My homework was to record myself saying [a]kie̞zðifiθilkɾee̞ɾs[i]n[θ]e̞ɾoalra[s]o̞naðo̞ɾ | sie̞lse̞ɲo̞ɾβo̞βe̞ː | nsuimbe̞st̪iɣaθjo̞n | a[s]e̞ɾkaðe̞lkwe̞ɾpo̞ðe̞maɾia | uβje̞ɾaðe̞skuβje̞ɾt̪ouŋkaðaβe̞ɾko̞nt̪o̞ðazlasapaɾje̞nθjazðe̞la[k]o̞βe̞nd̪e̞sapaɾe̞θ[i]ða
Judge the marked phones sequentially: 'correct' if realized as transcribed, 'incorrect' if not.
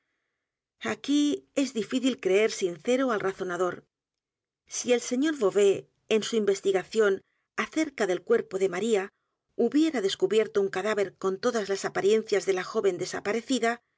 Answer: correct, correct, correct, incorrect: θ, incorrect: θ, incorrect: x, correct

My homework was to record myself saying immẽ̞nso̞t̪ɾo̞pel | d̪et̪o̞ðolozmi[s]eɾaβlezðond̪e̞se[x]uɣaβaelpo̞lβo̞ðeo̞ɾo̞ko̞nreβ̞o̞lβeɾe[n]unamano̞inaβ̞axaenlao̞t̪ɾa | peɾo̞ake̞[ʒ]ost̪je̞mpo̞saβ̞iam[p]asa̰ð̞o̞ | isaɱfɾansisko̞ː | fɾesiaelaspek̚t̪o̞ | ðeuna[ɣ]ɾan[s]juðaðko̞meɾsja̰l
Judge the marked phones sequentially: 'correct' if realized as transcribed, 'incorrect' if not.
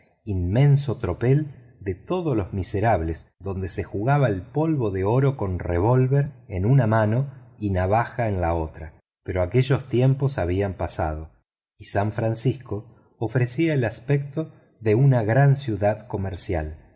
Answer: correct, correct, correct, correct, correct, correct, correct

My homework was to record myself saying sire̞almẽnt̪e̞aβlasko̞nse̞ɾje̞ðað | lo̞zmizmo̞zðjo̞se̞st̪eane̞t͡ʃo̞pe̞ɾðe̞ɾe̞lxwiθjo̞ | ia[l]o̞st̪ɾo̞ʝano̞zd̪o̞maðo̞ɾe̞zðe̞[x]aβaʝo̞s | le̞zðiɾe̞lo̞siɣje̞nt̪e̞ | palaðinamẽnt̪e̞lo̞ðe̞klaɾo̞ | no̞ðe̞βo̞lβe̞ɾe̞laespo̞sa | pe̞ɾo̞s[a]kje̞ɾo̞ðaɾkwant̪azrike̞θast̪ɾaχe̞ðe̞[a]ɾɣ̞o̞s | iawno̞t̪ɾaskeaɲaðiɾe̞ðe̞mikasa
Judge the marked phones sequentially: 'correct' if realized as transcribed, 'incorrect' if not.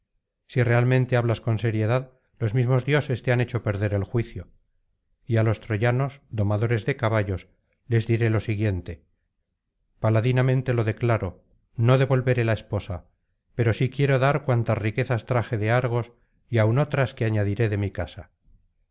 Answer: correct, incorrect: k, incorrect: i, correct

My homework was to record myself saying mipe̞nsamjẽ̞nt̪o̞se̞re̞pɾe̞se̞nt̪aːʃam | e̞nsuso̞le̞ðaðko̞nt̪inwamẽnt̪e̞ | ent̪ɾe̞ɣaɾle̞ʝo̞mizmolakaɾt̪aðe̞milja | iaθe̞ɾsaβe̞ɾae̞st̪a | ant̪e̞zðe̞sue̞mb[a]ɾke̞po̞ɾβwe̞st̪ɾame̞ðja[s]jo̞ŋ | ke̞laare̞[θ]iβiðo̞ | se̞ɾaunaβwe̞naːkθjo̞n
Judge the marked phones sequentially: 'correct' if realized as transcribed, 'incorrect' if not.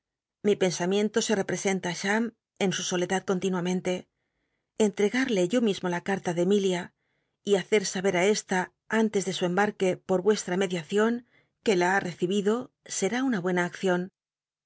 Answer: correct, incorrect: θ, correct

